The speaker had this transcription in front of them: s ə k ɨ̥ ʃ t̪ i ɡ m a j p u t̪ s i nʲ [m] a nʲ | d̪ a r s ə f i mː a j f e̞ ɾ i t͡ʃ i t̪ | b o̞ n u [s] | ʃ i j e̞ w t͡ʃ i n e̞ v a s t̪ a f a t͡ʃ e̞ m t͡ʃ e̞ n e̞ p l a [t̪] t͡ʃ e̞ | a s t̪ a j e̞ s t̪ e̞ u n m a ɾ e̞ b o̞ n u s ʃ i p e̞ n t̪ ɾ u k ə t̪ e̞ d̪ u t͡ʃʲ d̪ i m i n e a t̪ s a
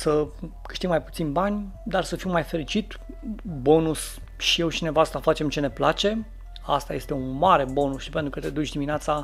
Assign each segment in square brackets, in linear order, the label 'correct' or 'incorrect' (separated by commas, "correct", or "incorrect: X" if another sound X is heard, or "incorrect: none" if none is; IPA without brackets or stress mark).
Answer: incorrect: b, correct, incorrect: none